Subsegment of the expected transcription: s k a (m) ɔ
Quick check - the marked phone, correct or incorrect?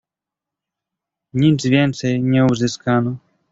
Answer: incorrect